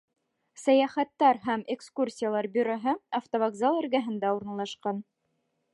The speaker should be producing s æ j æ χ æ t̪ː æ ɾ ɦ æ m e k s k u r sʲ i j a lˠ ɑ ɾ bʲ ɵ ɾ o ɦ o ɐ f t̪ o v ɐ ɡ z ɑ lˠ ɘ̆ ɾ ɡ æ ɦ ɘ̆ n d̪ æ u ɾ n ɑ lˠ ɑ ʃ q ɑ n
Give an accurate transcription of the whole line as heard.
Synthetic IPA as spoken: s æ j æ χ æ t̪ː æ ɾ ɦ æ m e k s k u r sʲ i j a lˠ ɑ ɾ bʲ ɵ ɾ o ɦ ɤ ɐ f t̪ o v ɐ ɡ z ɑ lˠ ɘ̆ ɾ ɡ æ ɦ ɘ̆ n d̪ æ u ɾ n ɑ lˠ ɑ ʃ q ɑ n